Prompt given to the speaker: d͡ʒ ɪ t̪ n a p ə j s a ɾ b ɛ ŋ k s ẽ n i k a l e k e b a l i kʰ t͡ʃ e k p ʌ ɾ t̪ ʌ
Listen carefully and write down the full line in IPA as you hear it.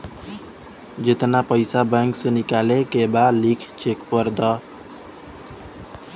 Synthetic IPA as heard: d͡ʒ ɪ t̪ n a p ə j s a b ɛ ŋ k s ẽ n i k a l e k e b a l i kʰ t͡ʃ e k p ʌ ɾ d̪ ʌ